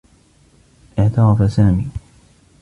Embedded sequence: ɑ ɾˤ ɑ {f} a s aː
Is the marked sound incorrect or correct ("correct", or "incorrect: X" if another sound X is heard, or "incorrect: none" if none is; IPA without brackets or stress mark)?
correct